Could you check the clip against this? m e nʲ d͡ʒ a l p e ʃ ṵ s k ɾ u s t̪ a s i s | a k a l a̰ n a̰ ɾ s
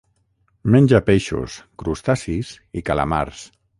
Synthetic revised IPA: m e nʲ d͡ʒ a p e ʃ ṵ s k ɾ u s t̪ a s i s | i k a l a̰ m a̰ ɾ s